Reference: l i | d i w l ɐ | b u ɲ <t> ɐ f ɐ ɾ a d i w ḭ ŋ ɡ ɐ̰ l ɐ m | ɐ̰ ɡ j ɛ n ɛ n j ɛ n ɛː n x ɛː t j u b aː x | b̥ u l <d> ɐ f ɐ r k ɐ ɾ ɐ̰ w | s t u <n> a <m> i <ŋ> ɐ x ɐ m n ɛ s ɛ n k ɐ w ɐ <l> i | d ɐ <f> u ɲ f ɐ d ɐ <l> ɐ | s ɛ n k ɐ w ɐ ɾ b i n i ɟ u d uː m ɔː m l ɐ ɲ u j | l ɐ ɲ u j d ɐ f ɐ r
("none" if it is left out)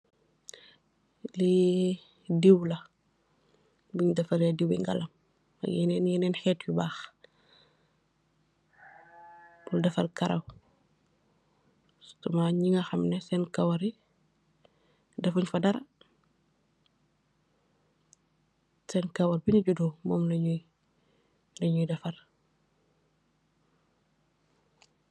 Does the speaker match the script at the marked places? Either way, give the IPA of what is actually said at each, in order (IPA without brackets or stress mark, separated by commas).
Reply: d, d, m, ɲ, ŋ, ɾ, f, ɾ